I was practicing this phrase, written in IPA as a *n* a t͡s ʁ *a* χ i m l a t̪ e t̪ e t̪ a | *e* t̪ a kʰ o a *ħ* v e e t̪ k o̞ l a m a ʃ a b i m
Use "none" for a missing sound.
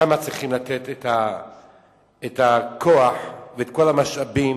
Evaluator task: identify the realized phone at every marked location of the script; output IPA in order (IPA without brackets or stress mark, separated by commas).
m, i, e, ħ